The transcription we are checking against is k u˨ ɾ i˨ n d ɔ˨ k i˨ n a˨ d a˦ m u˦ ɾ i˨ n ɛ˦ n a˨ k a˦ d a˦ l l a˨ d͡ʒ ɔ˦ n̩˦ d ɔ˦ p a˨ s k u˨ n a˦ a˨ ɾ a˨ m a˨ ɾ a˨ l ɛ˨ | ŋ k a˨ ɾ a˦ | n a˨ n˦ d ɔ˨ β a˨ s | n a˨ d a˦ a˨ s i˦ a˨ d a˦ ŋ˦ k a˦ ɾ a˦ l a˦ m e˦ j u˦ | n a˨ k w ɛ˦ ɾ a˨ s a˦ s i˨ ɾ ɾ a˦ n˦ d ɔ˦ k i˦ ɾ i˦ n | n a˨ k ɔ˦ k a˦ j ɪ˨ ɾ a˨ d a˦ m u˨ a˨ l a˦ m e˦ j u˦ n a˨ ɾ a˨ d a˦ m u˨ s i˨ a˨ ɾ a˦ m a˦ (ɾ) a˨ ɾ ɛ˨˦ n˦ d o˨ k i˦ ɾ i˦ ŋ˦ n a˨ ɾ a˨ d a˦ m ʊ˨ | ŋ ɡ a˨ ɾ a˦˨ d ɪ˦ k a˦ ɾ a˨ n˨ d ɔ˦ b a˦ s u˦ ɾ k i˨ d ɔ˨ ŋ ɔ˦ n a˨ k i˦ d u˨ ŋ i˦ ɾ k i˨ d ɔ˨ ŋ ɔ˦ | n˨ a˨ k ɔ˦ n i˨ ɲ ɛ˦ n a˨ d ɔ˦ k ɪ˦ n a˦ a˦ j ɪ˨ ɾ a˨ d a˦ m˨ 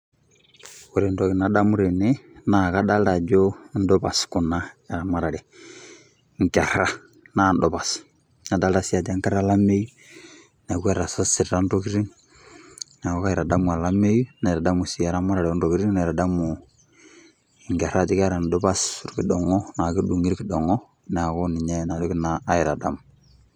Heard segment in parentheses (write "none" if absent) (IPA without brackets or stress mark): ɾ